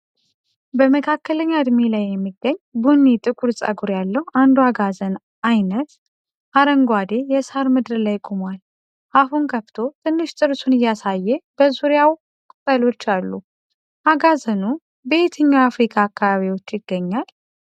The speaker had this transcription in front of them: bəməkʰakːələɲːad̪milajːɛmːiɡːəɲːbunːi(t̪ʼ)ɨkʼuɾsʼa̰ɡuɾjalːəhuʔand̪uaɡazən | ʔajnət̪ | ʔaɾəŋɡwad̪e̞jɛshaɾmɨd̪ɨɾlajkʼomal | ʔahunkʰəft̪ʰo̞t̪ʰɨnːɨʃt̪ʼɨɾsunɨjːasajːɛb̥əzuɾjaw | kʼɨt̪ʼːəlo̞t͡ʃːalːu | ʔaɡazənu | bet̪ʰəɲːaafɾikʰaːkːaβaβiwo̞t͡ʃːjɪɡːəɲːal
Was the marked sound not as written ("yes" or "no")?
no